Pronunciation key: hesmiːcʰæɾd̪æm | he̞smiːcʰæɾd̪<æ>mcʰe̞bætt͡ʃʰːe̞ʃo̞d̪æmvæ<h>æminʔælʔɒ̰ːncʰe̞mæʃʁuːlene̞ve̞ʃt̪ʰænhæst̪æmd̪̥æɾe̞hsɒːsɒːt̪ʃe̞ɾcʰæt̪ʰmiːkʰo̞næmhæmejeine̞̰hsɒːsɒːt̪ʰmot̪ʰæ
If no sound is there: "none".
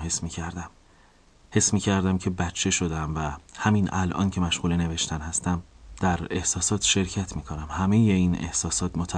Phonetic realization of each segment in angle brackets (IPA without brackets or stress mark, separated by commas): æ, h